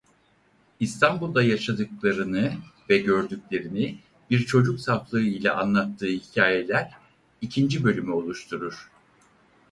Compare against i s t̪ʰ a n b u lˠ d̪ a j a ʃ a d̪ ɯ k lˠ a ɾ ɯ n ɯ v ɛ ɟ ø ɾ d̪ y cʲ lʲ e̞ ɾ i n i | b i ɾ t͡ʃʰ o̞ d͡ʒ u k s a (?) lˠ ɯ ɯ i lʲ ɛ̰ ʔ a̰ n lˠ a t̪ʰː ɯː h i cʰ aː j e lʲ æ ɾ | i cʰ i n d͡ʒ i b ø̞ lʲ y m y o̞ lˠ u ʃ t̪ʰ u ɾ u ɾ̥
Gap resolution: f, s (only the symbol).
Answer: f